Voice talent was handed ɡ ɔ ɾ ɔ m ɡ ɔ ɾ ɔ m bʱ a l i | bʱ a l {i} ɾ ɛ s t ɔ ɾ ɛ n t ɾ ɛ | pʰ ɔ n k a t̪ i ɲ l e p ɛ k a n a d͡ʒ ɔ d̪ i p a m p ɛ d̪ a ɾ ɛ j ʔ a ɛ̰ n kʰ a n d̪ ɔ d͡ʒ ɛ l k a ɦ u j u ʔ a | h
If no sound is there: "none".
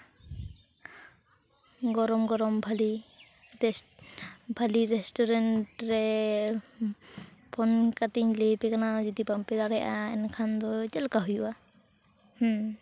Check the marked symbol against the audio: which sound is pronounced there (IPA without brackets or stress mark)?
i